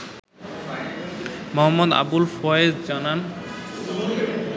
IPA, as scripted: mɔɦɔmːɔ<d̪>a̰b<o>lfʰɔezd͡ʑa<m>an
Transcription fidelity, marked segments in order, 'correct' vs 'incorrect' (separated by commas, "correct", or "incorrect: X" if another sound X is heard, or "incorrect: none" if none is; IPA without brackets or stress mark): correct, incorrect: u, incorrect: n